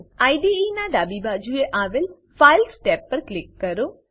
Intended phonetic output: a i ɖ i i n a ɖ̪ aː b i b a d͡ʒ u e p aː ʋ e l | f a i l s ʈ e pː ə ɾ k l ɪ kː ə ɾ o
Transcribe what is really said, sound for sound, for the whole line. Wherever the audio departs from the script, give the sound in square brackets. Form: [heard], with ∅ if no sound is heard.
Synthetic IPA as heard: a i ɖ i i n a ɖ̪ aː b i b a d͡ʒ u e [ʔ] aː ʋ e l | f a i l s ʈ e pː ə ɾ k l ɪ kː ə ɾ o